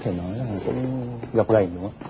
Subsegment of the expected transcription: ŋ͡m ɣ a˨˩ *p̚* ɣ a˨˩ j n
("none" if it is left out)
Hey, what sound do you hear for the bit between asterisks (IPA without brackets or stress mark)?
p̚